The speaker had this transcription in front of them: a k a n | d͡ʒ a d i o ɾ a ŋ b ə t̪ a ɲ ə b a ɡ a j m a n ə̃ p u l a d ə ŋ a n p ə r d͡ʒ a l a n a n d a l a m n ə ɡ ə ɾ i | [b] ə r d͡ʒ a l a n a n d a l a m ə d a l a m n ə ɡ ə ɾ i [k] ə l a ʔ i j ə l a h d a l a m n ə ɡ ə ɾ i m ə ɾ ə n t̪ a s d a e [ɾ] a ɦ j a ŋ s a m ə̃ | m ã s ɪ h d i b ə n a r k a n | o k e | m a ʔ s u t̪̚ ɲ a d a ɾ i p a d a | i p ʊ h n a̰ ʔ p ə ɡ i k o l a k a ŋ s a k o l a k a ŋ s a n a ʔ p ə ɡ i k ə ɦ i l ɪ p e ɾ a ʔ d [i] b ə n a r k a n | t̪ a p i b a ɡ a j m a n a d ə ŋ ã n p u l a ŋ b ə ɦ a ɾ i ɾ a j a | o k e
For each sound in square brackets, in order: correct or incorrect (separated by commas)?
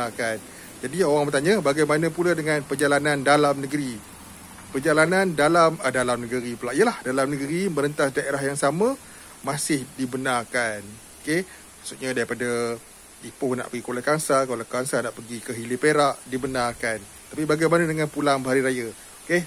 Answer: incorrect, incorrect, correct, correct